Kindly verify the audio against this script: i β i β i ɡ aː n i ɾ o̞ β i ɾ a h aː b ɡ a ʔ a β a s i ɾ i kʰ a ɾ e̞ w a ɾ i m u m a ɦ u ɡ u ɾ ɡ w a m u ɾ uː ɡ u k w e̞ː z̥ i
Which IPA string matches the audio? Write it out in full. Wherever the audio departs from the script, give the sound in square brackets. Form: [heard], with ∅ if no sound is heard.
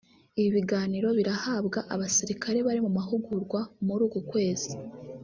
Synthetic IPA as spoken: i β i β i ɡ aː n i ɾ o̞ β i ɾ a h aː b ɡ a ʔ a β a s i ɾ i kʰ a ɾ e̞ [β] a ɾ i m u m a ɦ u ɡ u ɾ ɡ w a m u ɾ uː ɡ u k w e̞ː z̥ i